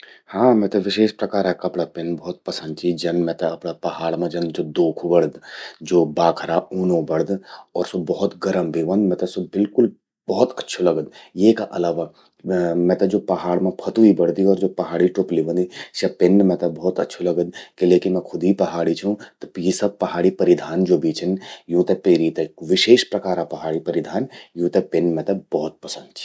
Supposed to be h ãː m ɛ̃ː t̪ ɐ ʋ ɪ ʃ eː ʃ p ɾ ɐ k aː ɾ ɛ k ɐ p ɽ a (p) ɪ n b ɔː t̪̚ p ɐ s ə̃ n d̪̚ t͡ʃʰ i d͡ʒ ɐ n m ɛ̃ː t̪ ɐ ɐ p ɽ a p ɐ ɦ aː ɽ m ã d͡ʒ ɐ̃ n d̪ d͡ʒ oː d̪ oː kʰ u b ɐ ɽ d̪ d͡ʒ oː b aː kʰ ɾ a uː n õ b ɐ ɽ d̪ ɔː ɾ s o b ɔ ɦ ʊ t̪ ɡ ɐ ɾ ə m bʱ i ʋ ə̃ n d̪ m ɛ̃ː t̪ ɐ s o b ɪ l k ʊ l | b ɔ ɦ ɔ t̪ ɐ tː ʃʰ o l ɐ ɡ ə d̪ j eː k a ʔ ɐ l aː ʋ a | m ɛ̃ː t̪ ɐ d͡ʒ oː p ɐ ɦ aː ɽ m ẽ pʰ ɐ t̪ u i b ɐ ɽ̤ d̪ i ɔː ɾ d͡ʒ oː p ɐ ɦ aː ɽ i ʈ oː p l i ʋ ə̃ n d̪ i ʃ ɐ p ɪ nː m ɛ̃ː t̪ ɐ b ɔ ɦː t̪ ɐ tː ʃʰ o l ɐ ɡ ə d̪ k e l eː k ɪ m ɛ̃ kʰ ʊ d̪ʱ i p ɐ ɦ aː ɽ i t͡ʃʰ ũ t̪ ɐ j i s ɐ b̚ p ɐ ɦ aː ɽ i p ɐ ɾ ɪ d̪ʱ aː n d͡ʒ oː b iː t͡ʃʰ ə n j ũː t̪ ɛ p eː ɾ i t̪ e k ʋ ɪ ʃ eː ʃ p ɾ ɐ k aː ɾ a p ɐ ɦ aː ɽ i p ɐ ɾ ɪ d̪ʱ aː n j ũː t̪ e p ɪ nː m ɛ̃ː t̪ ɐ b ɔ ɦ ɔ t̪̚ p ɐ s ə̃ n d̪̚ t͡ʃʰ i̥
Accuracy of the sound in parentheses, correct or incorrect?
correct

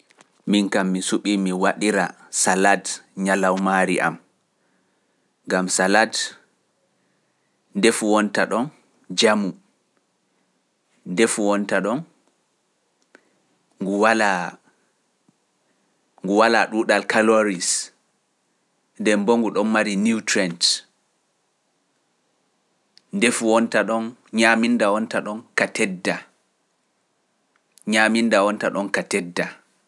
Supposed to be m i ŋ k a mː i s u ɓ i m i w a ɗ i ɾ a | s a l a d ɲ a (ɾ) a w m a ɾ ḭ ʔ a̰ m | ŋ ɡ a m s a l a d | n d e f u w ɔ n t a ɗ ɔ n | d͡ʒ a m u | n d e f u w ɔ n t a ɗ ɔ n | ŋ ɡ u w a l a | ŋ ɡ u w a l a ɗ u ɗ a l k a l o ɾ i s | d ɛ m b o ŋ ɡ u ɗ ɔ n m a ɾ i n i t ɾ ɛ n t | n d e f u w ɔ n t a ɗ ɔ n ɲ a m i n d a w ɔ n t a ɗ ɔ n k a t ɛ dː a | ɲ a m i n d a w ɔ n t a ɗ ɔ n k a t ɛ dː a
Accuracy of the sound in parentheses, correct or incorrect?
incorrect: l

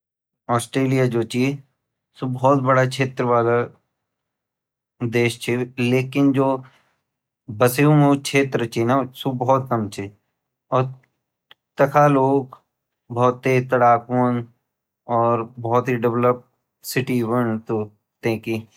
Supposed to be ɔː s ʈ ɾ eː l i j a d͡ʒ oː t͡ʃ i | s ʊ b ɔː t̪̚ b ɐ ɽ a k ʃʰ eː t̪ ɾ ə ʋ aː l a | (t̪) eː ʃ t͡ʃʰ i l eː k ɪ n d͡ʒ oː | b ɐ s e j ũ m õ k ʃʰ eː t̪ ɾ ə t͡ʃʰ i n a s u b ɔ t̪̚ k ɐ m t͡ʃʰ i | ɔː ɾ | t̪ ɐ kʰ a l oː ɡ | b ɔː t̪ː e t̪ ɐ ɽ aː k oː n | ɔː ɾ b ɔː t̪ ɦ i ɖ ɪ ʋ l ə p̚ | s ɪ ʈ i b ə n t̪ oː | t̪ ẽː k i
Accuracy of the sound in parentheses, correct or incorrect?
incorrect: d̪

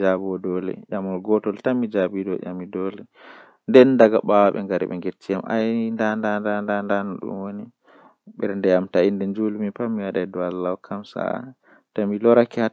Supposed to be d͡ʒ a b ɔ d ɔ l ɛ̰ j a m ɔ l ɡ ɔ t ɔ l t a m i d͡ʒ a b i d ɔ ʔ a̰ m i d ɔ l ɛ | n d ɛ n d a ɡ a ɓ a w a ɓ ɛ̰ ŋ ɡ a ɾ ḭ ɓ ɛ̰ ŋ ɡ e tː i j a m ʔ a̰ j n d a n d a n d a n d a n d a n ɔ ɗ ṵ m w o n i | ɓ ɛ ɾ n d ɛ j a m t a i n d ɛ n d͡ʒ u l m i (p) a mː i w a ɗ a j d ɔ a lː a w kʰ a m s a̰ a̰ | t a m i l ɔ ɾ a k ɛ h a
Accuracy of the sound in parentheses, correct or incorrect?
correct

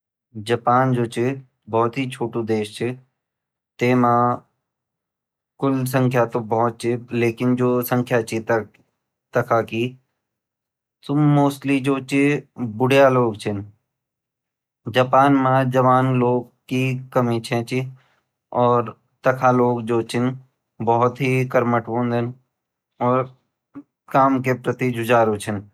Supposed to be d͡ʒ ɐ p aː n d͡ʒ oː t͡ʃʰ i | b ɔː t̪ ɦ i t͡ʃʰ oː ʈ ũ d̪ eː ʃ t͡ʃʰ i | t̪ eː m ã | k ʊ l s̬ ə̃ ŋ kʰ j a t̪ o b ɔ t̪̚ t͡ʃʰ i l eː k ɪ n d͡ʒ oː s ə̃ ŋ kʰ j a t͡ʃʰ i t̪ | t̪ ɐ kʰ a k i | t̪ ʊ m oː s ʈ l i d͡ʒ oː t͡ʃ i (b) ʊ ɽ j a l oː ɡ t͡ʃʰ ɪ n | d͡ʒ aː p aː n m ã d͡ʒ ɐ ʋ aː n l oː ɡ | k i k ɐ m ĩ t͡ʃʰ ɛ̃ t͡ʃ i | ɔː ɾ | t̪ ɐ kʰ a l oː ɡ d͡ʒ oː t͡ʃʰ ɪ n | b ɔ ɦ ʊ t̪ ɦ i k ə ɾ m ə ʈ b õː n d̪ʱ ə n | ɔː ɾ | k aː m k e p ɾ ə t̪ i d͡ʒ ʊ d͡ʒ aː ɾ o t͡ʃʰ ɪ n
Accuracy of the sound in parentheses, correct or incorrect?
correct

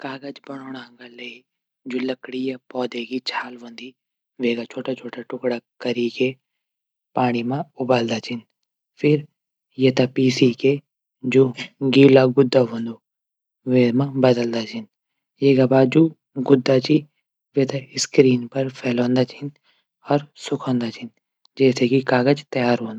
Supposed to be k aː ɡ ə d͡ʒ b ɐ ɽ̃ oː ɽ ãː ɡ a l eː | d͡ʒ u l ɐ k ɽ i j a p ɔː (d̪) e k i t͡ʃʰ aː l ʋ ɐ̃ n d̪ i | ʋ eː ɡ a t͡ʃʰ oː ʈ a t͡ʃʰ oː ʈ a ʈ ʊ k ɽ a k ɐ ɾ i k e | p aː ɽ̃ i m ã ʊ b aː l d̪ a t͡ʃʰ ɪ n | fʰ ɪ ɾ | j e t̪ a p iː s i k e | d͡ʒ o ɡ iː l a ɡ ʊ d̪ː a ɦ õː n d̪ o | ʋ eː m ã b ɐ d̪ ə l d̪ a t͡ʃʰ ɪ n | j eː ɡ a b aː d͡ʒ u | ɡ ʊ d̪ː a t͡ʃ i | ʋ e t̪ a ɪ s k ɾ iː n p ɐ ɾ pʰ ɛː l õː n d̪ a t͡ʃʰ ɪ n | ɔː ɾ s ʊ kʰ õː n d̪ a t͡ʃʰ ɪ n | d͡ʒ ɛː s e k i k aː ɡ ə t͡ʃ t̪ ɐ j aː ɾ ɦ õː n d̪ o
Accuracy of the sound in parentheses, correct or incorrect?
correct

